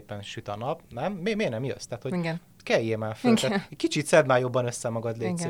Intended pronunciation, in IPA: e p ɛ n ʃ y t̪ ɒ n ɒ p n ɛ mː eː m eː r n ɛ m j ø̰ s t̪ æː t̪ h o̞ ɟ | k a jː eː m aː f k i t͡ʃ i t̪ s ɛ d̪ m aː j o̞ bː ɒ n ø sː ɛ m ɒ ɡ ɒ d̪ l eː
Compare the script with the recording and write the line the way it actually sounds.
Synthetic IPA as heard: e p ɛ n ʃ y t̪ ɒ n ɒ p n ɛ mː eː m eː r n ɛ m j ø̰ s t̪ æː t̪ h o̞ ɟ | k ɛ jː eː m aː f k i t͡ʃ i t̪ s ɛ d̪ m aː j o̞ bː ɒ n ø sː ɛ m ɒ ɡ ɒ d̪ l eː